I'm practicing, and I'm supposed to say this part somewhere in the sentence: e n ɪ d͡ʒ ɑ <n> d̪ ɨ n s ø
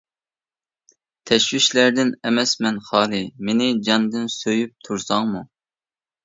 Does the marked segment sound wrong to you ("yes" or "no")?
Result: no